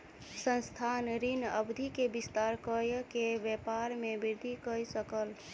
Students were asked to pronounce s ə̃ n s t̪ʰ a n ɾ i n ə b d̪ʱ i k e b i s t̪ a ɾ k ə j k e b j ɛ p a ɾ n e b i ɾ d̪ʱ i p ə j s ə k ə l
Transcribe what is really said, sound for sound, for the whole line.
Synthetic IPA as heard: s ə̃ n s t̪ʰ a n ɾ i n ə b d̪ʱ i k e b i s t̪ a ɾ k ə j k e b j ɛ p a ɾ m e b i ɾ d̪ʱ i k ə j s ə k ə l